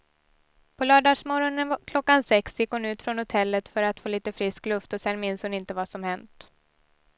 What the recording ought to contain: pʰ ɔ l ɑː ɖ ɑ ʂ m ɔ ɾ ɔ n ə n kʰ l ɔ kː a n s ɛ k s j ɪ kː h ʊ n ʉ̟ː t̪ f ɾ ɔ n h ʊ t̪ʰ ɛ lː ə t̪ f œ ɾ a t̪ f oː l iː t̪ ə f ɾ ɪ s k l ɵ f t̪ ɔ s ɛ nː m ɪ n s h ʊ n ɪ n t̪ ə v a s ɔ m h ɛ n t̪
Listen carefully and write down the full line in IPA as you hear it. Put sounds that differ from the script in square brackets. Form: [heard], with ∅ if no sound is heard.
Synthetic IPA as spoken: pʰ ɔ l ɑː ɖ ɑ ʂ m ɔ ɾ ɔ n ə n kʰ l ɔ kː a n s ɛ k s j ɪ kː h ʊ n ʉ̟ː t̪ f ɾ ɔ n h ʊ t̪ʰ ɛ lː ə t̪ f œ ɾ a t̪ f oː l iː t̪ ə f ɾ ɪ s k l ɵ f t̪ ɔ s ɛ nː m ɪ n s h ʊ n ɪ n t̪ ə v a s ɔ m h ɛ n t̪